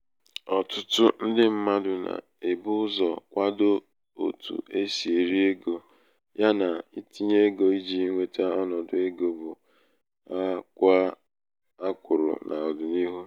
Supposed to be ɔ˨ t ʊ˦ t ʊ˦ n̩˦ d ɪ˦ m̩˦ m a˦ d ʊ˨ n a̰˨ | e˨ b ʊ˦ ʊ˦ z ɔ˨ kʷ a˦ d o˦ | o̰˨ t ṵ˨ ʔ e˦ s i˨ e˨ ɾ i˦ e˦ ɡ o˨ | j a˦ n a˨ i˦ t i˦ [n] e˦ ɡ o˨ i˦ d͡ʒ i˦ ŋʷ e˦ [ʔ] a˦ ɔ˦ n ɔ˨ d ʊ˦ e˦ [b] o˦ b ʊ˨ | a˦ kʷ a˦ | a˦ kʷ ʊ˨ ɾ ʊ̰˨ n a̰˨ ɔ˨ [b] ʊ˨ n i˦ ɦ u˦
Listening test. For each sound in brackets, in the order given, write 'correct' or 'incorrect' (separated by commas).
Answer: incorrect, incorrect, incorrect, incorrect